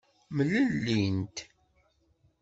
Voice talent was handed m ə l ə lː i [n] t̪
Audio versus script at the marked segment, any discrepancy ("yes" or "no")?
no